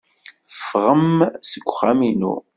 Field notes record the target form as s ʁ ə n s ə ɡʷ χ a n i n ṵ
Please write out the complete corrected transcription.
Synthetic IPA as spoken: f ʁ ə m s ə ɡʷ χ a m i n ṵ

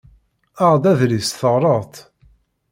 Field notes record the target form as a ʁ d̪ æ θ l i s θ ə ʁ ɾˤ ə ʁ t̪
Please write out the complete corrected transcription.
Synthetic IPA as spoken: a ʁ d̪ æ ð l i s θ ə ʁ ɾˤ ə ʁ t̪

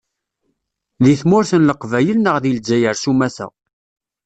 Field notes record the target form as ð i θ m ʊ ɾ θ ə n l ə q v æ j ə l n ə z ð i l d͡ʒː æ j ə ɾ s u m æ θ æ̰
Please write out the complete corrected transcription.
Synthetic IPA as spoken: ð i θ m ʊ ɾ θ ə n l ə q v æ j ə l n ə ʁ ð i l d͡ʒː æ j ə ɾ s u m æ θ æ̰

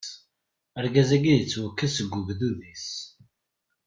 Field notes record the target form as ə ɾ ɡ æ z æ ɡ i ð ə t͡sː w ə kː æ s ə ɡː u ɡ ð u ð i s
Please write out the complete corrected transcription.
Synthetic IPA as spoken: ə ɾ ɡ æ z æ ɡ i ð ə t͡sː w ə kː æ s ə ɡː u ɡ ð u ð i s

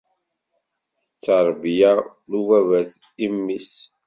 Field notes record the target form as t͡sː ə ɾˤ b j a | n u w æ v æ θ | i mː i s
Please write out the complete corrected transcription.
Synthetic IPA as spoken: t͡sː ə ɾˤ b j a | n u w æ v æ θ | i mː i s

